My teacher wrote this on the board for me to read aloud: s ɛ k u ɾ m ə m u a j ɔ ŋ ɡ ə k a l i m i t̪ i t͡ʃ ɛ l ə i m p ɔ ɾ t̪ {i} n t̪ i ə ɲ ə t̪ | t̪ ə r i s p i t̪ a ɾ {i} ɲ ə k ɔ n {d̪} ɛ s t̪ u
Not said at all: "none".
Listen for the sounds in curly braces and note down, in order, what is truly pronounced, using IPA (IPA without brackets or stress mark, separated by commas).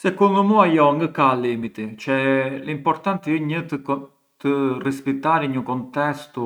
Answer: a, i, t̪